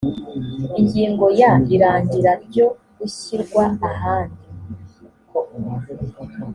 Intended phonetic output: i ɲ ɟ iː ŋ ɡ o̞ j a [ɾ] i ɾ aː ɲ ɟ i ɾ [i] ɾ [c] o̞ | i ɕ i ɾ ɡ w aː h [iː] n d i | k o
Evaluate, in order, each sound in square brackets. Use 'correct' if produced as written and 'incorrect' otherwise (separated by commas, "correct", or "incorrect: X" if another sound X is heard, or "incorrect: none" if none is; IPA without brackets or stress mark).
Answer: incorrect: none, incorrect: a, incorrect: ɟ, incorrect: aː